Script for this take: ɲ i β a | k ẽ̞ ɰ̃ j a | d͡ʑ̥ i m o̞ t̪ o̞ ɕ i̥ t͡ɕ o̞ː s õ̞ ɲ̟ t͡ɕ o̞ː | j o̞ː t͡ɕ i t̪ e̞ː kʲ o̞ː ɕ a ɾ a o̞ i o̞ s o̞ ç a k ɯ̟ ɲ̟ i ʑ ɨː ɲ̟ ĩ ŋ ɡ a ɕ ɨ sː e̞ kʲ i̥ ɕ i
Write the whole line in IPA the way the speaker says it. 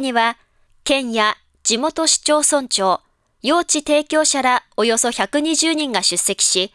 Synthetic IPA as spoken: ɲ i β a | k ẽ̞ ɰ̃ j a | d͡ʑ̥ i m o̞ t̪ o̞ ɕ i̥ t͡ɕ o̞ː s õ̞ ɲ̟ t͡ɕ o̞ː | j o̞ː t͡ɕ i t̪ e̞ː kʲ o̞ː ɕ a ɾ a o̞ j o̞ s o̞ ç a k ɯ̟ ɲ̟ i ʑ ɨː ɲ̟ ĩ ŋ ɡ a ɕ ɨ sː e̞ kʲ i̥ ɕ i